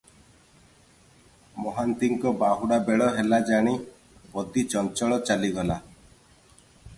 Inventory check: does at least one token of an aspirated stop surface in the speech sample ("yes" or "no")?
no